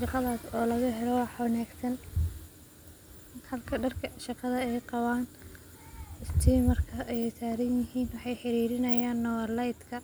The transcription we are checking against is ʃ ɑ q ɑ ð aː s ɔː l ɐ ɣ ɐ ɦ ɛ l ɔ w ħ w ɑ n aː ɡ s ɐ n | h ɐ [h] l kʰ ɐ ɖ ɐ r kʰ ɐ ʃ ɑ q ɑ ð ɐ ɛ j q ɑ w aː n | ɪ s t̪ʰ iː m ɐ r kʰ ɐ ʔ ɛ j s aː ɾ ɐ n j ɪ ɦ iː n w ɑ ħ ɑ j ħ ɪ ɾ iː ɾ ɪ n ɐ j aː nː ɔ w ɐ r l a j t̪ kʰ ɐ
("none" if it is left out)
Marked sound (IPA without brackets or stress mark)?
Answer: none